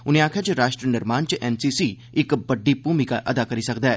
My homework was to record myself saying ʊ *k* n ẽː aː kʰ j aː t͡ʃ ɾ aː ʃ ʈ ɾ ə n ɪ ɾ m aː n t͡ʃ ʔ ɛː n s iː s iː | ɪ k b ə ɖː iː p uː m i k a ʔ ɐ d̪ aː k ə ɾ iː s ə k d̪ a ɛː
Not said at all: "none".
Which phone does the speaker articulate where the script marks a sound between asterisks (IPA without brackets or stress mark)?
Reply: none